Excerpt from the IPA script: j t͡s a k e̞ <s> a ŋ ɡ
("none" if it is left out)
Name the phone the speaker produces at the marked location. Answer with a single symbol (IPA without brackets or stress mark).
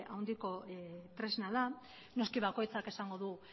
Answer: s